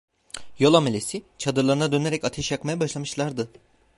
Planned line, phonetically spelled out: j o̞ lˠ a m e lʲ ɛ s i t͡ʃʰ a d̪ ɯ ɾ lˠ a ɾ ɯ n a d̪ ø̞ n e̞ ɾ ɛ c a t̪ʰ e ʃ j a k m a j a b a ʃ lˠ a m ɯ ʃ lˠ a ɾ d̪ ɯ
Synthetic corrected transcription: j o̞ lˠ a m e lʲ e s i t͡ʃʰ a d̪ ɯ ɾ lˠ a ɾ ɯ n a d̪ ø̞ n e̞ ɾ ɛ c a t̪ʰ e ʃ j a k m a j a b a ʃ lˠ a m ɯ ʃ lˠ a ɾ d̪ ɯ